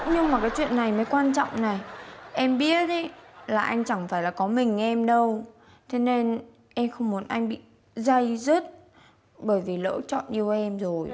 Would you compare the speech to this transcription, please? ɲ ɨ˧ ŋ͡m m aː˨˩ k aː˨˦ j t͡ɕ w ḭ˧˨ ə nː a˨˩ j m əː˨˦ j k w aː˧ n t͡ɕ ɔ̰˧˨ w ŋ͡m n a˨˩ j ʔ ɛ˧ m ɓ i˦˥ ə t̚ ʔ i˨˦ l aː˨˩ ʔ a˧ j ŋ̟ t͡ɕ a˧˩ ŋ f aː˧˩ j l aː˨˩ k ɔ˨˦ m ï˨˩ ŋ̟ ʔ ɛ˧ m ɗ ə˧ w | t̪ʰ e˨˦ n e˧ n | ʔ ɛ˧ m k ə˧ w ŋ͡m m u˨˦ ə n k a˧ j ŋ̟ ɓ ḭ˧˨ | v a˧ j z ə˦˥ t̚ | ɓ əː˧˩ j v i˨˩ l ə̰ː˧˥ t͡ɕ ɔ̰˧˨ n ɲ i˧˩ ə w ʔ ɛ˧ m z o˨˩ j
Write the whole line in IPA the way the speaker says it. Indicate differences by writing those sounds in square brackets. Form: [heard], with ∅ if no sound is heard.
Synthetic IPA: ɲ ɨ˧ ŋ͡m m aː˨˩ k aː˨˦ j t͡ɕ w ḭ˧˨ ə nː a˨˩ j m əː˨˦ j k w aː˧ n t͡ɕ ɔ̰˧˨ w ŋ͡m n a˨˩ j ʔ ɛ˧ m ɓ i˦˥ ə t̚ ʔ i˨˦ l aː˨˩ ʔ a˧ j ŋ̟ t͡ɕ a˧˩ ŋ f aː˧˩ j l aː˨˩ k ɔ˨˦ m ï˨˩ ŋ̟ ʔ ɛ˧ m ɗ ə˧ w | t̪ʰ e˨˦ n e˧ n | ʔ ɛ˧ m [x] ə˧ w ŋ͡m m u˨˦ ə n [ʔ] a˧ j ŋ̟ ɓ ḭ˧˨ | [z] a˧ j z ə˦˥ t̚ | ɓ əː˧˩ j v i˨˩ l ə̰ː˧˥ t͡ɕ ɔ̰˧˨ n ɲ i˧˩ ə w ʔ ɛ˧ m z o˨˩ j